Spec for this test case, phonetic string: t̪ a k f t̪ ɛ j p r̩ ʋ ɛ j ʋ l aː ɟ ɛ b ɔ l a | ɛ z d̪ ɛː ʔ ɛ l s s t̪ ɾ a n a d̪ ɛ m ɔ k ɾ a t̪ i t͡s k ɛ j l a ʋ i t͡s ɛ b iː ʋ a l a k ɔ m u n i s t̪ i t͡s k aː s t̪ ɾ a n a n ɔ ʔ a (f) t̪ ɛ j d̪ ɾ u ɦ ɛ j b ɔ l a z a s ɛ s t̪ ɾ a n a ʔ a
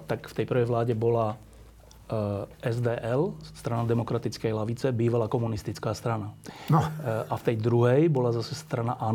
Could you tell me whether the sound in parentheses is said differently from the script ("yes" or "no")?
no